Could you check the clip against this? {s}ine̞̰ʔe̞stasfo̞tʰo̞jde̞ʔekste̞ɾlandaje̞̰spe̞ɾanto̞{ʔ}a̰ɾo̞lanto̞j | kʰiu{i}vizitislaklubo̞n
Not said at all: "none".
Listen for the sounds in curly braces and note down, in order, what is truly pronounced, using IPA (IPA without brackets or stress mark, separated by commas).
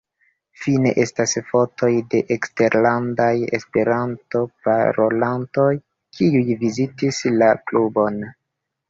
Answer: f, p, j